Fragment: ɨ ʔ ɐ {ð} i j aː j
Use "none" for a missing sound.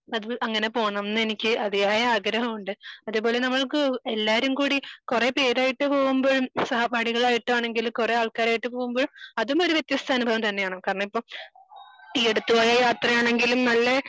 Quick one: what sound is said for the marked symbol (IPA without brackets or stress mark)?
ð